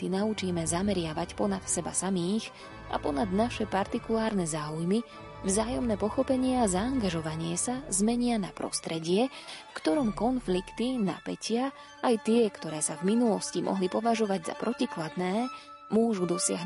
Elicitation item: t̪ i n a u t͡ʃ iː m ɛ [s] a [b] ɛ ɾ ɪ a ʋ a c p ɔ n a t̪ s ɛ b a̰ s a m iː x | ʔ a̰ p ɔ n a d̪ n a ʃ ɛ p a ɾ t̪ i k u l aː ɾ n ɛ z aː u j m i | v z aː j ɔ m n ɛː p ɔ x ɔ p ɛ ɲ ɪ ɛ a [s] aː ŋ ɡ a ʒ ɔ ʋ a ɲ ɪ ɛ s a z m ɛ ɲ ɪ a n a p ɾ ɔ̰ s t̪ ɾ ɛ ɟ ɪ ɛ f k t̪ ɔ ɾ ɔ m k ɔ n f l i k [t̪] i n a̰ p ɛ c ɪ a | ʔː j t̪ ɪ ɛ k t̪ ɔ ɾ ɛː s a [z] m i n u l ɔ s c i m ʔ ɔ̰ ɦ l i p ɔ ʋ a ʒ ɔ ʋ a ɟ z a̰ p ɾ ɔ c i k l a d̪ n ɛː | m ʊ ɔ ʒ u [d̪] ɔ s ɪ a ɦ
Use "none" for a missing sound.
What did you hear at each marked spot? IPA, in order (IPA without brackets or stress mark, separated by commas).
z, m, z, t̪, v, d̪